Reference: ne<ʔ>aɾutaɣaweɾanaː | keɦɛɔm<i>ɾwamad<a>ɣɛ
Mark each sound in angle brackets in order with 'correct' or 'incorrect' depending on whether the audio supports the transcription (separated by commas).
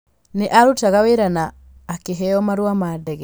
correct, incorrect, incorrect